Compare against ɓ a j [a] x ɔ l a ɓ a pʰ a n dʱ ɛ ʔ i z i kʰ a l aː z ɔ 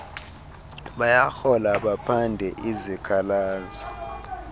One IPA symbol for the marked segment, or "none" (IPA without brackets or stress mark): a